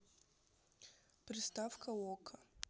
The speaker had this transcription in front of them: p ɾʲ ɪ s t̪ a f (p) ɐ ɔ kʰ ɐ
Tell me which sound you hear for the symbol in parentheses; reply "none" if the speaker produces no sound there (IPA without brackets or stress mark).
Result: k